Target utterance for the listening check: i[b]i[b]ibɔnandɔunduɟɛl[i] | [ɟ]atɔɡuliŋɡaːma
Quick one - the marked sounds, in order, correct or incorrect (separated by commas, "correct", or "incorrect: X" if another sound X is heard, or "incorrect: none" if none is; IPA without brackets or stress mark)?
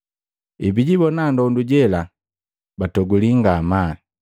correct, incorrect: ɟ, incorrect: a, incorrect: b